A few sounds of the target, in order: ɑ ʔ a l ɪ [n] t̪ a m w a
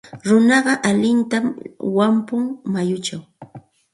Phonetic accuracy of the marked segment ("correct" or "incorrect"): correct